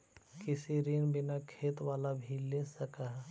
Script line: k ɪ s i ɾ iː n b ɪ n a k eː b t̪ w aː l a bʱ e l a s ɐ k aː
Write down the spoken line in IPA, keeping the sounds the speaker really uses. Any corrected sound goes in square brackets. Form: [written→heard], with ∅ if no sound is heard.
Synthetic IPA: k ɪ s i ɾ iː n b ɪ n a [k→kʰ] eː [b→∅] t̪ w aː l a bʱ [e→i] l [a→e] s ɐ k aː